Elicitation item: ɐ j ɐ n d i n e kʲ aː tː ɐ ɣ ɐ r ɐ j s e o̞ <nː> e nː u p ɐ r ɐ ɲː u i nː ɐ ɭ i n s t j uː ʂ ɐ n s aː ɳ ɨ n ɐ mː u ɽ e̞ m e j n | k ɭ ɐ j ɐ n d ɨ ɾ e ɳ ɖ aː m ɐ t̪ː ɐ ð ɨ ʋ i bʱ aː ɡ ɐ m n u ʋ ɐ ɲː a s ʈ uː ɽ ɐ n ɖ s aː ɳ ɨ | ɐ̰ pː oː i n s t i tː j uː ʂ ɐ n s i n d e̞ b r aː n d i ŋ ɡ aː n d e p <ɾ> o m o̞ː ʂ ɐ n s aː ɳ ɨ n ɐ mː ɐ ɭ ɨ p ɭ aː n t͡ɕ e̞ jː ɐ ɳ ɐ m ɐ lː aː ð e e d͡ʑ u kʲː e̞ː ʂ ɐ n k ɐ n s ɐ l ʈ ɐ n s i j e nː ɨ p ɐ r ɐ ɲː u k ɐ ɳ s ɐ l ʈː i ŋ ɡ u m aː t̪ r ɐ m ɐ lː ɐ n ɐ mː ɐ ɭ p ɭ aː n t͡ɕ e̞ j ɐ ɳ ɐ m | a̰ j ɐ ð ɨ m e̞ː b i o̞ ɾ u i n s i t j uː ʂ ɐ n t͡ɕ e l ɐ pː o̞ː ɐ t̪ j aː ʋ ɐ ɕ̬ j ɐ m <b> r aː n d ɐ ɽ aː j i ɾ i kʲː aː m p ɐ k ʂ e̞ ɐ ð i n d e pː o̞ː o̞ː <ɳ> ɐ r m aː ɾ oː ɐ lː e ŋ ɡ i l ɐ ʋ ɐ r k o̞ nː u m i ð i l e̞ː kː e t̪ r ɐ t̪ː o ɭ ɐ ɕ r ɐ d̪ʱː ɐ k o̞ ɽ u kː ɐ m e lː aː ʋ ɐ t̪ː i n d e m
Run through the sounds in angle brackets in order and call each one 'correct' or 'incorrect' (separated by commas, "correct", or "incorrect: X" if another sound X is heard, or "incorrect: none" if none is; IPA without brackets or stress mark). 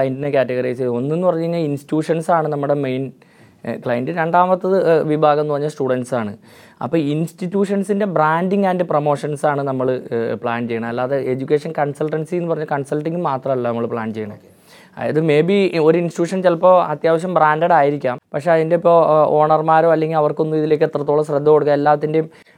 correct, incorrect: r, correct, correct